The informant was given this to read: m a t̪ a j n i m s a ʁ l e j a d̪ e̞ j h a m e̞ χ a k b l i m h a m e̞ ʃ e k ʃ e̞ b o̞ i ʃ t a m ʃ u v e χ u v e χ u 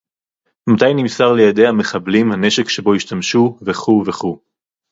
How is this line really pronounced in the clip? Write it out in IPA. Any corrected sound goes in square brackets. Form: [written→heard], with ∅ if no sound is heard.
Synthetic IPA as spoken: m a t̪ a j n i m s a ʁ l e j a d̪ e̞ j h a m e̞ χ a [k→∅] b l i m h a [m→n] e̞ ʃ e k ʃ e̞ b o̞ i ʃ t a m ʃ u v e χ u v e χ u